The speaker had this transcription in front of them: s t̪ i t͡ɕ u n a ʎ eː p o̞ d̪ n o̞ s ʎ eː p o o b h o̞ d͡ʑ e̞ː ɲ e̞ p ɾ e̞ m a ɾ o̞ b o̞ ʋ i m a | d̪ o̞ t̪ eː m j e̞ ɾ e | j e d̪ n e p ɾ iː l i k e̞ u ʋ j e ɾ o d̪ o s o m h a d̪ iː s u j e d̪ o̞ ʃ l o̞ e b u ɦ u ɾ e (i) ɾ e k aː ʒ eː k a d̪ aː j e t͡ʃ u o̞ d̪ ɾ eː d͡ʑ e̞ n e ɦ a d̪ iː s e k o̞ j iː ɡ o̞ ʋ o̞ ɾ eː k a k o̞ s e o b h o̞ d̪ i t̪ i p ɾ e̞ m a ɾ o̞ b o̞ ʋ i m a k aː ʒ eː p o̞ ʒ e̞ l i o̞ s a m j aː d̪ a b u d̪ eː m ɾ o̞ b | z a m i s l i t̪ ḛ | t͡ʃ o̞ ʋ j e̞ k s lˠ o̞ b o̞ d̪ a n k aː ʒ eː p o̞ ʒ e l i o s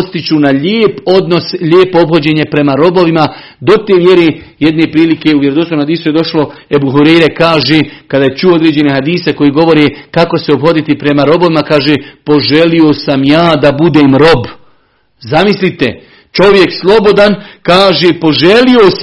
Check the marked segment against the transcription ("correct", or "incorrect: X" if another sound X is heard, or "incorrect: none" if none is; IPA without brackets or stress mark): incorrect: j